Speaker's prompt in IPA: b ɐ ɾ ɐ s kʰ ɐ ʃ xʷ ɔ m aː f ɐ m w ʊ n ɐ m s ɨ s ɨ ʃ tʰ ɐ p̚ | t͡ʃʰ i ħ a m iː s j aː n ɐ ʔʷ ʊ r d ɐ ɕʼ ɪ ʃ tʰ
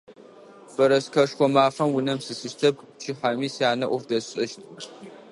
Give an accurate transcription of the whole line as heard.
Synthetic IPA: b ɐ ɾ ɐ s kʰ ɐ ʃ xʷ ɔ m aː f ɐ m w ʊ n ɐ m s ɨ s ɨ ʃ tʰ ɐ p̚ | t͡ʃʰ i ħ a m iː s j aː n ɐ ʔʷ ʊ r d ɐ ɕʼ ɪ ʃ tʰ